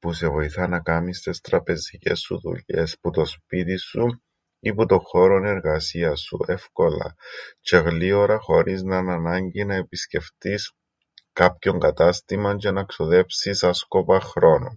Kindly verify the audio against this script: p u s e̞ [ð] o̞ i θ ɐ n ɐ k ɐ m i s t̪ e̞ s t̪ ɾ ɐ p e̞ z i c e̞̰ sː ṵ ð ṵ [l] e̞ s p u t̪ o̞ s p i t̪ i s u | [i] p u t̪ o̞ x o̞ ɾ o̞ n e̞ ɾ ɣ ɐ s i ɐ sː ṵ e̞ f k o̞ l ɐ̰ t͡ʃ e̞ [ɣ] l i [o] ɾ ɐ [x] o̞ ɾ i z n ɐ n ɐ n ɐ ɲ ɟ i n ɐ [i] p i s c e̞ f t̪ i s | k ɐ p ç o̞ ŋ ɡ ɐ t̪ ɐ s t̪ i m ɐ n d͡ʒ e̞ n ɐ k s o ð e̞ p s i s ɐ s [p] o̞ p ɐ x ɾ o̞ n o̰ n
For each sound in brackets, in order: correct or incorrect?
incorrect, incorrect, correct, correct, correct, correct, incorrect, incorrect

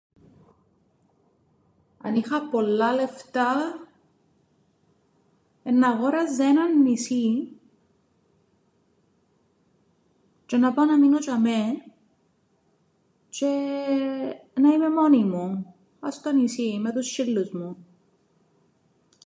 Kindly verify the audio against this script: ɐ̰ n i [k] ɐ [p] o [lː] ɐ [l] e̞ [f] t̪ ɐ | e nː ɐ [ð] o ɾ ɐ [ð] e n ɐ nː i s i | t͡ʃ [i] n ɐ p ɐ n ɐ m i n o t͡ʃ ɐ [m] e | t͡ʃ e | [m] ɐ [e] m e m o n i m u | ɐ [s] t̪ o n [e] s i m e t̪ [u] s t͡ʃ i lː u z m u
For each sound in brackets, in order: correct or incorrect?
incorrect, correct, correct, correct, correct, incorrect, incorrect, incorrect, correct, incorrect, incorrect, correct, incorrect, correct

